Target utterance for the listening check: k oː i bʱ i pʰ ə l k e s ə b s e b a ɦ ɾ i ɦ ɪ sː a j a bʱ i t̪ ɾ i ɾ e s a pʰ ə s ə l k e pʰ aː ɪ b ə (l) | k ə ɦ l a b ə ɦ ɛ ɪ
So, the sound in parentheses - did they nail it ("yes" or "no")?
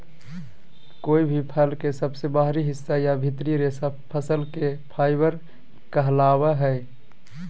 no